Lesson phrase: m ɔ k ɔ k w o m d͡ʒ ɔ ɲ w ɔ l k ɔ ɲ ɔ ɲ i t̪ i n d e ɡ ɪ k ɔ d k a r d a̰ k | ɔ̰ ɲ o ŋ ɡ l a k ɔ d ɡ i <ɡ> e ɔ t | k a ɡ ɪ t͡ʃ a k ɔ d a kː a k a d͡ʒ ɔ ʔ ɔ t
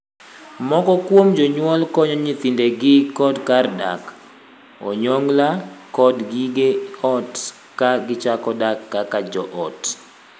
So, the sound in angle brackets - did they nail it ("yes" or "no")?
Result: yes